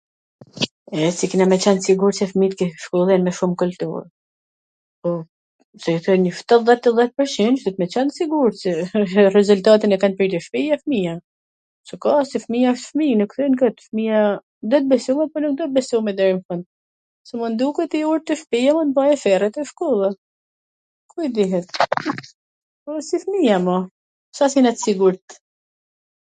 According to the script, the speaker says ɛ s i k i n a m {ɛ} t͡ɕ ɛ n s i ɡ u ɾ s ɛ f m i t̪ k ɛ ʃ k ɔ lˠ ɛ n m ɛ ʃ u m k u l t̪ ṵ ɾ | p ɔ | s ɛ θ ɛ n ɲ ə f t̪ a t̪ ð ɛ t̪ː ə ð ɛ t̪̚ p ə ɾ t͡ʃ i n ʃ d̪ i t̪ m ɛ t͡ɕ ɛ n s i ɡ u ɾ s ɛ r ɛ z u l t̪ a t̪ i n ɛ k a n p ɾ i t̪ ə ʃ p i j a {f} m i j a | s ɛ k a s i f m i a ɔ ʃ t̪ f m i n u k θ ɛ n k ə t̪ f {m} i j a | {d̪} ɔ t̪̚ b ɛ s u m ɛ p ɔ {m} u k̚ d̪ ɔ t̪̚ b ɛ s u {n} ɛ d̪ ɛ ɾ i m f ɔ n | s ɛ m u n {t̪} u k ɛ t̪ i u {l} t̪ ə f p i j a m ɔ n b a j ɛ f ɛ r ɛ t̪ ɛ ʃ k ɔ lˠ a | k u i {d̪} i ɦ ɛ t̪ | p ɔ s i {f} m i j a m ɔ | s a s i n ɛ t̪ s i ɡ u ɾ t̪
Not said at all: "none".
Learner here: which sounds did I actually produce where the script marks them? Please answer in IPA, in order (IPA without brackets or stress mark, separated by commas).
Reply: ɛ, f, m, d̪, n, m, d̪, ɾ, d̪, f